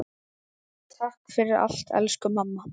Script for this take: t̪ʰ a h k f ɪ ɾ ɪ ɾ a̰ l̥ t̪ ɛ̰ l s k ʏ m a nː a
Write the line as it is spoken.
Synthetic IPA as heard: t̪ʰ a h k f ɪ ɾ ɪ ɾ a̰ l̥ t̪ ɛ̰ l s k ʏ m a mː a